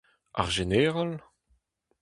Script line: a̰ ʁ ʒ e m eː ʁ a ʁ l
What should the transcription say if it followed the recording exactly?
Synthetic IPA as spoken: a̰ ʁ ʒ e n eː ʁ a l